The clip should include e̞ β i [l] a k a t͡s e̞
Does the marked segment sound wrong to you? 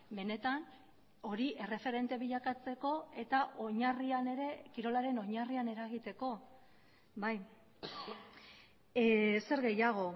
yes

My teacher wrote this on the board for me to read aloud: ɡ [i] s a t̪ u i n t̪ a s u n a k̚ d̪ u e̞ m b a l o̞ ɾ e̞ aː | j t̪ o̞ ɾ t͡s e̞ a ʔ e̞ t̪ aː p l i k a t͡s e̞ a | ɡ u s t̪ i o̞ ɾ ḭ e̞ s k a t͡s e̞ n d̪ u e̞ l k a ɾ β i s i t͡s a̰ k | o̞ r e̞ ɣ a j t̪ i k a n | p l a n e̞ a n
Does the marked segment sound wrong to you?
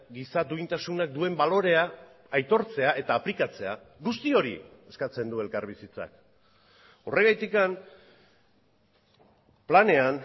no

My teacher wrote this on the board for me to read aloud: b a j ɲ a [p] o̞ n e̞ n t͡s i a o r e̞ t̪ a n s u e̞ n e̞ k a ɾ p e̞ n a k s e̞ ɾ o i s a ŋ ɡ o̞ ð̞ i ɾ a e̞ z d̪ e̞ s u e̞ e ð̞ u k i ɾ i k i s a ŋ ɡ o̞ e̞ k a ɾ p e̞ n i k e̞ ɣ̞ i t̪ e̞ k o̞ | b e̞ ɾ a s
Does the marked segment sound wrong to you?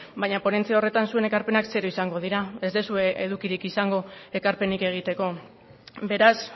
no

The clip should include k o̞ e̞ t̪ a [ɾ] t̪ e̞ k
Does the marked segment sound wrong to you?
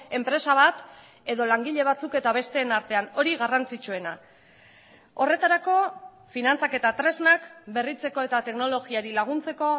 yes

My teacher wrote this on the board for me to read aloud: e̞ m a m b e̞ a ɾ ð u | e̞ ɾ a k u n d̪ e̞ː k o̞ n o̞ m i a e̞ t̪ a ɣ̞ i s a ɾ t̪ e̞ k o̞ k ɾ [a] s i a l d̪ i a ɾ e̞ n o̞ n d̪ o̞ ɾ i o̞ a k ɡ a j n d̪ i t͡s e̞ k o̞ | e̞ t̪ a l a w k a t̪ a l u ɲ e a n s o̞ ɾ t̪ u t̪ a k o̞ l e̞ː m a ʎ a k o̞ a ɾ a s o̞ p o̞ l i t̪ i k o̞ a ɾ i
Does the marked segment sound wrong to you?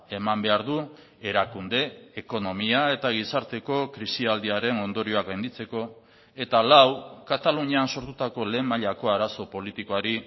yes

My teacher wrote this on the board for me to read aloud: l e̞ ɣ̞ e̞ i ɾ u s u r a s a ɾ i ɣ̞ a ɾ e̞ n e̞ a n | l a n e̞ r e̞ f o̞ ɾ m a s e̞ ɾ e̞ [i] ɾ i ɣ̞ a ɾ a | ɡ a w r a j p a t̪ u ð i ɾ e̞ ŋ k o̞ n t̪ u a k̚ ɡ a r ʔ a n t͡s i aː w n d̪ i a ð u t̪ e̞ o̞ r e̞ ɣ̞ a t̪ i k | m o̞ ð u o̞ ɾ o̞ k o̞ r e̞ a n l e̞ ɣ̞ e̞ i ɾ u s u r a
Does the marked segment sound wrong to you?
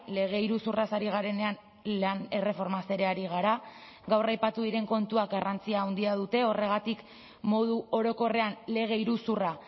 yes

